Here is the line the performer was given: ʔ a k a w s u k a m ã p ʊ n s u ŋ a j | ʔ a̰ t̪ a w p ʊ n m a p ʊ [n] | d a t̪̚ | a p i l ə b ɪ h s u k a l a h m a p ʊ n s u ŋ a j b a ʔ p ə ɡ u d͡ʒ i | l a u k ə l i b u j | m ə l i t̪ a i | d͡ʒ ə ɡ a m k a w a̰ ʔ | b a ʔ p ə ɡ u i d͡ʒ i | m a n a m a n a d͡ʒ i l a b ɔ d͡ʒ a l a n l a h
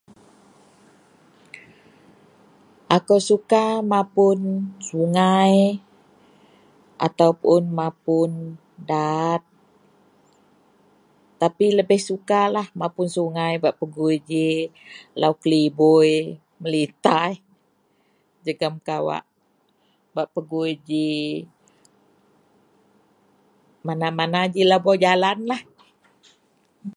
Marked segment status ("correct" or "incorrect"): correct